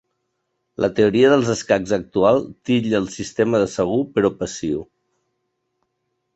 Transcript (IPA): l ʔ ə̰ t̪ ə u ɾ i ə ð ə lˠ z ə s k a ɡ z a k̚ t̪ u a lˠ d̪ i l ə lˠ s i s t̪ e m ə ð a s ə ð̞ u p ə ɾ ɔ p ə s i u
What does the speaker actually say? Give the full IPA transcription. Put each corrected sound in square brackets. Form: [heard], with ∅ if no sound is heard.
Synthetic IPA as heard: l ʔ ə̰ t̪ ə u ɾ i ə ð ə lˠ z ə s k a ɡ z [ə] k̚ t̪ u a lˠ [t̪] i [ʎ] ə lˠ s i s t̪ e m ə ð [ə] s ə [ɣ̞] u p ə ɾ ɔ p ə s i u